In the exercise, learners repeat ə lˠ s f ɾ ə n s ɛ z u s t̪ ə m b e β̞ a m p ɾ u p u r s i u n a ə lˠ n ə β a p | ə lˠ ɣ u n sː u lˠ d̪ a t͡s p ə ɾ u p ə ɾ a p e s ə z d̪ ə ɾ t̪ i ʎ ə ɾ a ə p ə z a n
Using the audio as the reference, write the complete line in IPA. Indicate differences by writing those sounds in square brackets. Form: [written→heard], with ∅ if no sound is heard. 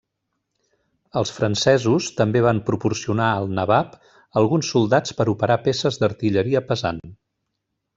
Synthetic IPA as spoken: ə lˠ s f ɾ ə n s ɛ z u s t̪ ə m b e β̞ a m p ɾ u p u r s i u n a ə lˠ n ə β a p | ə lˠ ɣ u n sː u lˠ d̪ a t͡s p ə ɾ u p ə ɾ a p e s ə z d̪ ə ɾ t̪ i ʎ ə ɾ [a→i] ə p ə z a n